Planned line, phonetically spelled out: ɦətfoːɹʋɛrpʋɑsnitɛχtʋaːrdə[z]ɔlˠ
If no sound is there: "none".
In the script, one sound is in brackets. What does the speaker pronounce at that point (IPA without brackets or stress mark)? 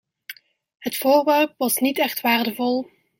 v